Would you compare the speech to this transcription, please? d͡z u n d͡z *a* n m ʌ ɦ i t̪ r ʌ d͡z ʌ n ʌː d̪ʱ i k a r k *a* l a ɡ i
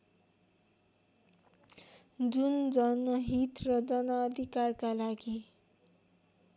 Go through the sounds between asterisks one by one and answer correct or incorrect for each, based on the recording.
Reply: incorrect: ʌ, correct

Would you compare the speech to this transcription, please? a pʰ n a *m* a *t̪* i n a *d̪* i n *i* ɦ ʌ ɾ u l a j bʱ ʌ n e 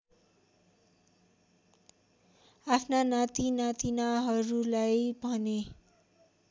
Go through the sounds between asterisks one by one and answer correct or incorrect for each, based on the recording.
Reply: incorrect: n, correct, incorrect: t̪, incorrect: a

